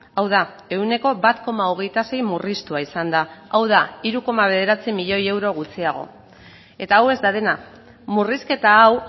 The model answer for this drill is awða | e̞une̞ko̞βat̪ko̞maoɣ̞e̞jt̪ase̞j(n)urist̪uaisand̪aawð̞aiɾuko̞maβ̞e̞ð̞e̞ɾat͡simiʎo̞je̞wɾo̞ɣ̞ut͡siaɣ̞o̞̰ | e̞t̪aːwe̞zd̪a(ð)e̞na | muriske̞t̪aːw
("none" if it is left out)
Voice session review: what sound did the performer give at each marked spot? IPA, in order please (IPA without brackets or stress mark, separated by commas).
m, ð